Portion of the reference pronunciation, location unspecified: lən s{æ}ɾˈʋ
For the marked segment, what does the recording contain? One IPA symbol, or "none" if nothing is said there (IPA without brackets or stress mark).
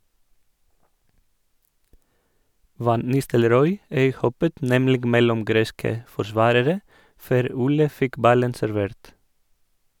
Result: æ